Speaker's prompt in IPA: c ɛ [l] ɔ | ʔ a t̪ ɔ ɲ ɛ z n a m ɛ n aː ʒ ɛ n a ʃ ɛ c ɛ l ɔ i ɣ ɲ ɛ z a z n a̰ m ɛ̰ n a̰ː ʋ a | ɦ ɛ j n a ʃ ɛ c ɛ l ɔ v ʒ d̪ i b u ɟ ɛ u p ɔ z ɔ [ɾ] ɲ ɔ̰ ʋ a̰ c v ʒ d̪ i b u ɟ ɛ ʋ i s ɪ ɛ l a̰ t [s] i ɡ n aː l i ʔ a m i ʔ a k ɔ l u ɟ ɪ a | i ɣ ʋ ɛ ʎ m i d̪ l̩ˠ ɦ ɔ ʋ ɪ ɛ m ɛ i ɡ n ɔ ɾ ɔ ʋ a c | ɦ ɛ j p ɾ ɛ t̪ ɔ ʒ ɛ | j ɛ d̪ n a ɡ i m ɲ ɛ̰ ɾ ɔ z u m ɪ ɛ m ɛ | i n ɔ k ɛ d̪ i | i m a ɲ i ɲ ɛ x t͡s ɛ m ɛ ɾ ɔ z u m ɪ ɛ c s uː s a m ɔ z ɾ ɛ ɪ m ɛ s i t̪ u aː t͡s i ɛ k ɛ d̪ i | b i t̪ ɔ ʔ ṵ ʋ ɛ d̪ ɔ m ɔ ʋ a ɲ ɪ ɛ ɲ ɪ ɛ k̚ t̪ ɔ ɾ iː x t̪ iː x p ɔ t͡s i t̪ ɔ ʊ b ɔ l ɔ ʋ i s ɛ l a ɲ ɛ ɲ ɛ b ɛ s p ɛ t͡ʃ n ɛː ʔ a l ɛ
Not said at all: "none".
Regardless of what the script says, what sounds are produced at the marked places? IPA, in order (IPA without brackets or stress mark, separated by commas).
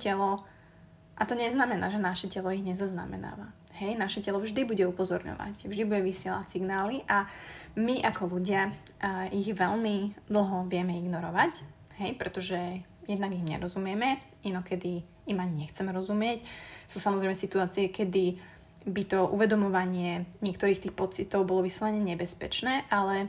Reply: l, ɾ, s